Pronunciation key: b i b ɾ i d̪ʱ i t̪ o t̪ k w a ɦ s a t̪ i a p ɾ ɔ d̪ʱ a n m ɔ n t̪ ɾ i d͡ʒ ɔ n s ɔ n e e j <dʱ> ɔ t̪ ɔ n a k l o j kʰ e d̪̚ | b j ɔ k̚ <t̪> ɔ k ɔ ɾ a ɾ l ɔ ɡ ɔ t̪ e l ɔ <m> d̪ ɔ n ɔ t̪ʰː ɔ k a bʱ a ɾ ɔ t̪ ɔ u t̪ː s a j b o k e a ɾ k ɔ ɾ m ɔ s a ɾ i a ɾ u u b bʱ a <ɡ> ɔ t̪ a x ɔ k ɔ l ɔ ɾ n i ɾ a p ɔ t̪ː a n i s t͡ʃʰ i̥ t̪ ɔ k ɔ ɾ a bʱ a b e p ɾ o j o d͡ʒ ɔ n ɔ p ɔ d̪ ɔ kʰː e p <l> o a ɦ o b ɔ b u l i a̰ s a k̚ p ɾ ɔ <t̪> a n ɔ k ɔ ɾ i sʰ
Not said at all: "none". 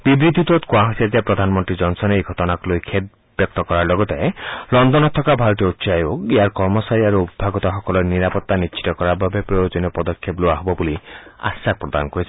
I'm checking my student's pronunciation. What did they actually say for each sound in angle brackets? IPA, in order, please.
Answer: ɡʱ, t̪, n, ɡ, l, d̪

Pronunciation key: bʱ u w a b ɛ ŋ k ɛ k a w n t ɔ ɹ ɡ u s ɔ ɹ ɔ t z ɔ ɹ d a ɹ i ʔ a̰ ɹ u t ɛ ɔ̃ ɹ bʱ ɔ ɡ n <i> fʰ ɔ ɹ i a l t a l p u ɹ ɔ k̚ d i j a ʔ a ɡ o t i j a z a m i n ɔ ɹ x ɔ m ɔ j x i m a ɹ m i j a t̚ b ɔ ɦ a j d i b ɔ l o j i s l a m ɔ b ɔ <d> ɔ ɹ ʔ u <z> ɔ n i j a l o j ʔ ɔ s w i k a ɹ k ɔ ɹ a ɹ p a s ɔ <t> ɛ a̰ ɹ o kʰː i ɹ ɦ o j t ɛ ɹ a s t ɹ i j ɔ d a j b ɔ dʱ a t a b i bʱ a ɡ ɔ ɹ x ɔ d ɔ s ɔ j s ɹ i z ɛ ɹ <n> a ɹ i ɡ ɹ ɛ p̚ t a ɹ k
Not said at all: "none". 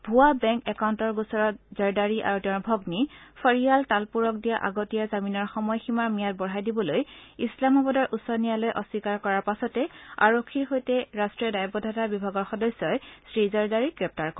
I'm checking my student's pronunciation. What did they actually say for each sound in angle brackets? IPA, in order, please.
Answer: i, d, s, t, d

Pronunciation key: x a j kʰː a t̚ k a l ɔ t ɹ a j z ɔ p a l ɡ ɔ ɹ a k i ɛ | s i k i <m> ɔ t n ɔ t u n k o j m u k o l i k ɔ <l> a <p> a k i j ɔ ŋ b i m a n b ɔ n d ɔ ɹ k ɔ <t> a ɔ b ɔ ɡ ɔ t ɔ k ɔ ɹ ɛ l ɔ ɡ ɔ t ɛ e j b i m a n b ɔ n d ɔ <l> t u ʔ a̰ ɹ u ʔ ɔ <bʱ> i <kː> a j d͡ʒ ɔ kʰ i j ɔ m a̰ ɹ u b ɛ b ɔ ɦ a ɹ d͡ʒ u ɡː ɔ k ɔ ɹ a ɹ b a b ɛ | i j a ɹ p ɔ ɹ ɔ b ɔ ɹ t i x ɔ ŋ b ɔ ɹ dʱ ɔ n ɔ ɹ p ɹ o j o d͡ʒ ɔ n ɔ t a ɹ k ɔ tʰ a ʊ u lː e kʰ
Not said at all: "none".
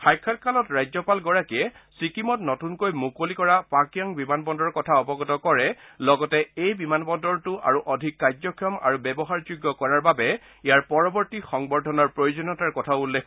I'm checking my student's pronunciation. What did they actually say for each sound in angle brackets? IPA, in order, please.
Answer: m, ɹ, p, tʰ, ɹ, dʱ, kː

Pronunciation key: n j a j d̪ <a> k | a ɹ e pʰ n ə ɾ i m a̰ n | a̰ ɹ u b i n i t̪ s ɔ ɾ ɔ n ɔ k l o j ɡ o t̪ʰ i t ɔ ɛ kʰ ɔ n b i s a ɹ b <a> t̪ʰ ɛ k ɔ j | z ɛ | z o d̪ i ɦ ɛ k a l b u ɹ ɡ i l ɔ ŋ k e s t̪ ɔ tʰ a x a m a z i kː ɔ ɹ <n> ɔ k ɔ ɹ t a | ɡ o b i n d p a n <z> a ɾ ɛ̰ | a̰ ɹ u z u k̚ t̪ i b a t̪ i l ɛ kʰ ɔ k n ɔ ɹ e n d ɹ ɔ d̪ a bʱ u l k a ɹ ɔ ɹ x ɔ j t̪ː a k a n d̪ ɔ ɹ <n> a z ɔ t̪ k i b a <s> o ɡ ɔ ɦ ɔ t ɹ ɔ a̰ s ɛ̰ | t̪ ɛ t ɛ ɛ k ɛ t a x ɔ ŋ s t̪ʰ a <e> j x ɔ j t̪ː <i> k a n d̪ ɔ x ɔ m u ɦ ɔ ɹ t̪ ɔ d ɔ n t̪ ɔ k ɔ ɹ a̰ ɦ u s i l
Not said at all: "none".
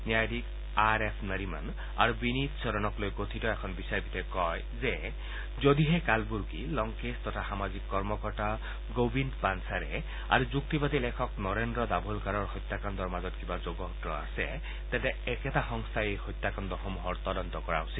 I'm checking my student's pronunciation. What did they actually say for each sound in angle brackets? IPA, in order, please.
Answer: i, i, m, s, m, z, e, a

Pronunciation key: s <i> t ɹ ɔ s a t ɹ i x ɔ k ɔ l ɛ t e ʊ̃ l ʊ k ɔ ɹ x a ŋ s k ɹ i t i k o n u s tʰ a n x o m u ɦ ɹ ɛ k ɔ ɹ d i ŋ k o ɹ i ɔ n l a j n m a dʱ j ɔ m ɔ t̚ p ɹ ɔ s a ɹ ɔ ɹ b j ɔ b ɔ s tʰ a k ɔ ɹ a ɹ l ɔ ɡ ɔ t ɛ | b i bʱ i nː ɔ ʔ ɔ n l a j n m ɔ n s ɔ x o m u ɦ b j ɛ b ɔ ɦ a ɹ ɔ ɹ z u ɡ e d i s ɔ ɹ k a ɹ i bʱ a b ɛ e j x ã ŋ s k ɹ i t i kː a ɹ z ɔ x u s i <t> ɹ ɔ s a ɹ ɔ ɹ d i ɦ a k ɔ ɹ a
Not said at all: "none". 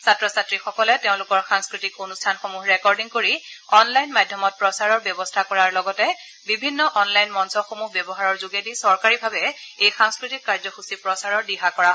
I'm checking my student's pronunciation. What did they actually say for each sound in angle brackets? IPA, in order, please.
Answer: a, p

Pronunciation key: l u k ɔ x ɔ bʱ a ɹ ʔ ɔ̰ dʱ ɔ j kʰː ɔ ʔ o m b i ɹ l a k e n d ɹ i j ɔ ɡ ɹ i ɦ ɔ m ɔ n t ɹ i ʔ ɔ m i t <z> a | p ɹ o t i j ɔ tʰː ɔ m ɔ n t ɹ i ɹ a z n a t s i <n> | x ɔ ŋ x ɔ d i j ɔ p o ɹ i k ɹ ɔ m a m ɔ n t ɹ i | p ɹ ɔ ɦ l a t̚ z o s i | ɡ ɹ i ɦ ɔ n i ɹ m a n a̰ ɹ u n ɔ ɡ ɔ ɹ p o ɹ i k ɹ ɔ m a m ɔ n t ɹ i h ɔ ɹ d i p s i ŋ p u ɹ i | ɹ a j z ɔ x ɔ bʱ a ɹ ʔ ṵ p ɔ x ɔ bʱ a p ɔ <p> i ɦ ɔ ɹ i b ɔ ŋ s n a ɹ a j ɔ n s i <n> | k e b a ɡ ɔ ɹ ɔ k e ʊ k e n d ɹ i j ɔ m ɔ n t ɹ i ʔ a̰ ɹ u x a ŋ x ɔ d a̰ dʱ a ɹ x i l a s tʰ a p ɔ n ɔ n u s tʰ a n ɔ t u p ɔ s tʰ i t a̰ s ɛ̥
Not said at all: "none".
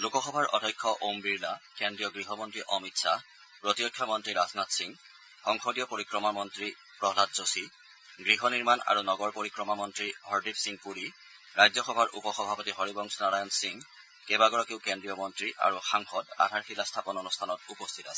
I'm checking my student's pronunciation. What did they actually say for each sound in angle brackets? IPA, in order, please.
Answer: s, ŋ, t, ŋ

